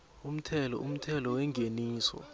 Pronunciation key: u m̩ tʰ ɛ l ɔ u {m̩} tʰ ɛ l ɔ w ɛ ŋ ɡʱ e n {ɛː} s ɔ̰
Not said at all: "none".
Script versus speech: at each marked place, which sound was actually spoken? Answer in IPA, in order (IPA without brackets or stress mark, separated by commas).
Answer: m̩, iː